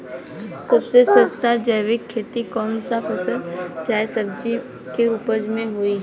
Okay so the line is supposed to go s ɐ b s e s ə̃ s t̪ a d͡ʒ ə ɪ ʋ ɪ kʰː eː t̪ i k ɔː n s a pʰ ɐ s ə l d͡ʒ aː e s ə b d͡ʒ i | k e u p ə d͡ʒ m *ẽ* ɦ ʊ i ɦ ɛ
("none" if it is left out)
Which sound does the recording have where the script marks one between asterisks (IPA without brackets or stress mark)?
ẽ